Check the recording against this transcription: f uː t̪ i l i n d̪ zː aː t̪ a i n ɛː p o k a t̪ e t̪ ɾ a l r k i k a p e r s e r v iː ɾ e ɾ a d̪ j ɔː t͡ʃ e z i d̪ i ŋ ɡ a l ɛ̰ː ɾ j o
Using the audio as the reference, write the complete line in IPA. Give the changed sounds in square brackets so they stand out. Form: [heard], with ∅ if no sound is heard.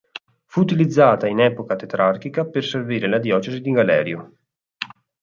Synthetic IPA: f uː t̪ i l i [∅] d̪ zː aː t̪ a i n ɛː p o k a t̪ e t̪ ɾ a [∅] r k i k a p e r s e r v iː ɾ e [l] a d̪ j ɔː t͡ʃ e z i d̪ i ŋ ɡ a l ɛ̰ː ɾ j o